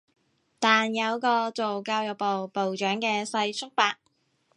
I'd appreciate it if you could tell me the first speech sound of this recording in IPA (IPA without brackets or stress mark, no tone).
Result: t̪